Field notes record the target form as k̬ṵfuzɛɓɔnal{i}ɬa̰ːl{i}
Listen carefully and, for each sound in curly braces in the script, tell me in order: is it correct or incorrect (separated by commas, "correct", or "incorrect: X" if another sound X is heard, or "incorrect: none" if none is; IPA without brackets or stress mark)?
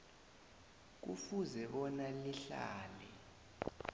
correct, incorrect: ɛ